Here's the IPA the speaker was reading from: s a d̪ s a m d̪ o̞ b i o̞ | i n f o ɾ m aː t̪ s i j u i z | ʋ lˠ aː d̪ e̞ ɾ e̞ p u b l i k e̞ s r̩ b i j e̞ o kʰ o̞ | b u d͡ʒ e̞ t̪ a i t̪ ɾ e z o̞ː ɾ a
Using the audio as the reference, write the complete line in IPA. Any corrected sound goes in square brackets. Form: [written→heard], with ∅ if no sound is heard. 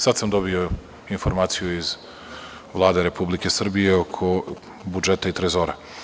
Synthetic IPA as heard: s a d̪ s a m d̪ o̞ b i o̞ | i n f o ɾ m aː t̪ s i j u i z | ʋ lˠ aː d̪ e̞ ɾ e̞ p u b l i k e̞ s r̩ b i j e̞ o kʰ o̞ | b u d͡ʒ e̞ t̪ a i t̪ ɾ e z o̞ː ɾ a